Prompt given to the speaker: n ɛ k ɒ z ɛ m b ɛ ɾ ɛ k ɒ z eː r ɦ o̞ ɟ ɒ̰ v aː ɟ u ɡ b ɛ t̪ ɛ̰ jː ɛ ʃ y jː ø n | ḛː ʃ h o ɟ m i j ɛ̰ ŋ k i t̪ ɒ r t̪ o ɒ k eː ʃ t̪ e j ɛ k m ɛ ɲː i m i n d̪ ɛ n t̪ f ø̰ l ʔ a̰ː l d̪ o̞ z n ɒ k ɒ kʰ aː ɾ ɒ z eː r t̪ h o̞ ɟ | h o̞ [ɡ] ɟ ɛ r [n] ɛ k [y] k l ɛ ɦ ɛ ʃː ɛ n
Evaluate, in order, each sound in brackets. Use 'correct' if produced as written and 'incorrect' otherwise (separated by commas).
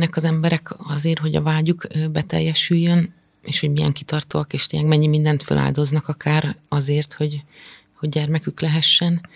incorrect, incorrect, correct